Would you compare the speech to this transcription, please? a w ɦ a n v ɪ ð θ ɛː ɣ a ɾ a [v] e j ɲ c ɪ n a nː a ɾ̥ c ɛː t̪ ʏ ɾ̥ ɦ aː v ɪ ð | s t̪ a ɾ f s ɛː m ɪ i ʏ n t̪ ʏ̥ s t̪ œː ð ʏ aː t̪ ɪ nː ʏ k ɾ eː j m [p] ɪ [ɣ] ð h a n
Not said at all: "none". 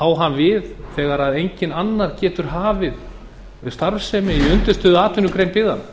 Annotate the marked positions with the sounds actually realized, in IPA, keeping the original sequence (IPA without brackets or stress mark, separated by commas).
ð, p, none